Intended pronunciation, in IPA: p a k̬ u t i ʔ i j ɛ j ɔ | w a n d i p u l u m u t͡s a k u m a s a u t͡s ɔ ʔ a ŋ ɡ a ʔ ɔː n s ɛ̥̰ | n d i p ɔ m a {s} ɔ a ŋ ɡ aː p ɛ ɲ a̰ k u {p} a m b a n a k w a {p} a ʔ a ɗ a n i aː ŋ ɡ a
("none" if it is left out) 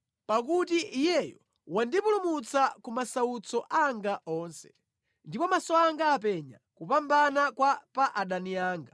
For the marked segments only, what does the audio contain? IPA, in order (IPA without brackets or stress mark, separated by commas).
s, p, p